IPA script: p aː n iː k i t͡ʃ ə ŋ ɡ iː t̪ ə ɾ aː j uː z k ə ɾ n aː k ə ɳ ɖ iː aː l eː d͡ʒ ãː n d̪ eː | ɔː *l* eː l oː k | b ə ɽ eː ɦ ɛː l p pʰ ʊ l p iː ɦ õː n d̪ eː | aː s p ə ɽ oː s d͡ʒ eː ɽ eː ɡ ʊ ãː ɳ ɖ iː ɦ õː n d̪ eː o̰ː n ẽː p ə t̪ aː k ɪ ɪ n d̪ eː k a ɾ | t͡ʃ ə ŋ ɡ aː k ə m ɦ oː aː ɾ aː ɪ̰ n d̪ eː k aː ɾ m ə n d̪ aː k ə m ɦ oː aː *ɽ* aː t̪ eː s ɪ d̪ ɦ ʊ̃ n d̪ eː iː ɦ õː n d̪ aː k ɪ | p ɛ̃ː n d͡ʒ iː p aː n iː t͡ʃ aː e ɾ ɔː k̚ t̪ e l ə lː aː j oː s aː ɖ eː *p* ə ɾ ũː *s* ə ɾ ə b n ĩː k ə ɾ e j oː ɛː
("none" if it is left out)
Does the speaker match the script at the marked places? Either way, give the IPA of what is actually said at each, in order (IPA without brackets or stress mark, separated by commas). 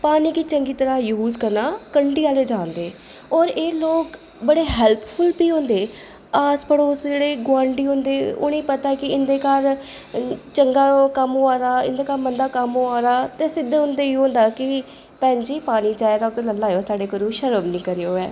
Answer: ɾ, ɾ, k, ʃ